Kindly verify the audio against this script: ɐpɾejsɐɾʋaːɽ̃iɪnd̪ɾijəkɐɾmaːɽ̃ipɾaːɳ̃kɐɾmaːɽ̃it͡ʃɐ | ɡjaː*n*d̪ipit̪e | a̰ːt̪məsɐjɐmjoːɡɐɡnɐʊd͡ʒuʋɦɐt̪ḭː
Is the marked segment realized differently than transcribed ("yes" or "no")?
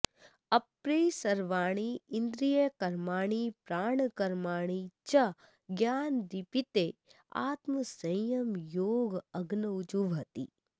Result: no